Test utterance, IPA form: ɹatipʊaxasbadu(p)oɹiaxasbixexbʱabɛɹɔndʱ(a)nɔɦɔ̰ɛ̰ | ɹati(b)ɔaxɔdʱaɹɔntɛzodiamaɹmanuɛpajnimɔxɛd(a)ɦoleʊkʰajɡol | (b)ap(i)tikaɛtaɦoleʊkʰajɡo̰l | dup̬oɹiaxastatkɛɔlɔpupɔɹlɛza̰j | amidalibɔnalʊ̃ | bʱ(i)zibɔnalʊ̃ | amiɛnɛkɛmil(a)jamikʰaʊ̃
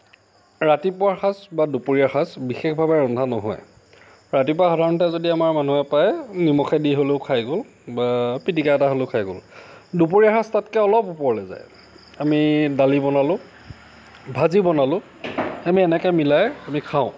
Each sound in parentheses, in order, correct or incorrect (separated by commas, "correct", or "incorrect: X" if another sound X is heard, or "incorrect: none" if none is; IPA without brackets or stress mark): correct, correct, incorrect: p, incorrect: i, correct, correct, incorrect: a, correct